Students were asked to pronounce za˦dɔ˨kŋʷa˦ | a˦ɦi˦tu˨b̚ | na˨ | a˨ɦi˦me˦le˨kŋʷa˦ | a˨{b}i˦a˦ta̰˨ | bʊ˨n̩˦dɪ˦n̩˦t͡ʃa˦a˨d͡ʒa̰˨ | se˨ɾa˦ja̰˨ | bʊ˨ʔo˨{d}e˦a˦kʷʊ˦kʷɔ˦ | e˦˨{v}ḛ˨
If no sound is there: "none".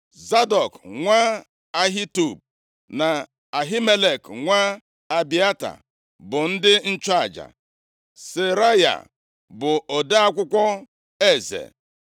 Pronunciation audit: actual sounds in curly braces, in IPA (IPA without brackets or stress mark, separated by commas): b, d, z